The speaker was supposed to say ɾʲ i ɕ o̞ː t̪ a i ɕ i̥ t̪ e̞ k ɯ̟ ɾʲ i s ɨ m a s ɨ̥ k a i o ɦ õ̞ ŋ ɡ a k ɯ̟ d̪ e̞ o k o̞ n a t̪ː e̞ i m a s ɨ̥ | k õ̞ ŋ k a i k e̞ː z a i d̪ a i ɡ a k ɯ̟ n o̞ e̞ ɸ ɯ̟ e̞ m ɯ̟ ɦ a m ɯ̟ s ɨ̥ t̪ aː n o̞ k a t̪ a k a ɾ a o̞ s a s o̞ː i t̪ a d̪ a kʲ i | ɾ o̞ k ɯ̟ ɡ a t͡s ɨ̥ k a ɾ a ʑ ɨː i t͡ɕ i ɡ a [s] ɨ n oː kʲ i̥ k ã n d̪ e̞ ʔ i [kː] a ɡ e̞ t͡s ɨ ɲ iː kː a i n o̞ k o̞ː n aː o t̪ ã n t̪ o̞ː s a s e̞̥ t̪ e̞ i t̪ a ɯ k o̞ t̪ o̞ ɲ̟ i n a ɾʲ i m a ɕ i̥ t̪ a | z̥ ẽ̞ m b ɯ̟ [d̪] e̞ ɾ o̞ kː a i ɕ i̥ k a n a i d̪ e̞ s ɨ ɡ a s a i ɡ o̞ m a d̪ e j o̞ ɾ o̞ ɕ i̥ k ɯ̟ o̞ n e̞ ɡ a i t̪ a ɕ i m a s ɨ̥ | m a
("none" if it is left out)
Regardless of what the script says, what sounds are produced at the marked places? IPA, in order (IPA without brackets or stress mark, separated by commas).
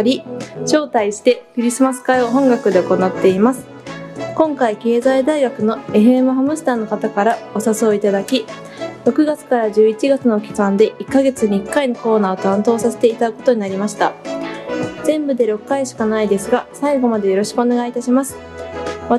t͡s, kː, d̪